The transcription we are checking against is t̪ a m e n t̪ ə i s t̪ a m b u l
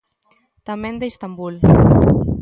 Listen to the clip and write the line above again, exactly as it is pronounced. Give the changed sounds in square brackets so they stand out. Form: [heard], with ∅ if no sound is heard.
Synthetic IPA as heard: t̪ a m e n [d̪] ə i s t̪ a m b u l